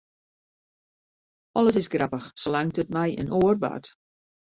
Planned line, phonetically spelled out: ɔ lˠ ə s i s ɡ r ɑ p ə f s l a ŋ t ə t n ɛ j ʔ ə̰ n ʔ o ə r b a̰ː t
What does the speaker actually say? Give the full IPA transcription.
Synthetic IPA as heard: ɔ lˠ ə s ɪ s ɡ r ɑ p ə x s l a ŋ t ə t m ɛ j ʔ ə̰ n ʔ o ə r b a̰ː t